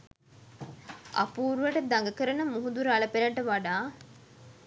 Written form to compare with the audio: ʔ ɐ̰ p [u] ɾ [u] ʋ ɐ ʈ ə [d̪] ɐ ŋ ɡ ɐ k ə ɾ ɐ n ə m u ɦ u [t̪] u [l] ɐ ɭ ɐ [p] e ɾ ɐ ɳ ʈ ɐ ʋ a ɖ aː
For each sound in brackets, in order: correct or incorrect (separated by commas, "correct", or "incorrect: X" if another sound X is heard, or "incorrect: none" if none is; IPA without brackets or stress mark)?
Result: incorrect: uː, correct, correct, incorrect: d̪, incorrect: ɾ, correct